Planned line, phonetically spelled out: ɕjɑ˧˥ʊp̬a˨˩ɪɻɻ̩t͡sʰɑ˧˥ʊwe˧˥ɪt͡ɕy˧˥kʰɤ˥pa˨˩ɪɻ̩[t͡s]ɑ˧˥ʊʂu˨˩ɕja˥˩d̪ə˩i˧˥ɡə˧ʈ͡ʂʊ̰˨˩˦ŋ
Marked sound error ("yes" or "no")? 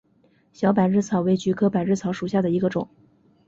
yes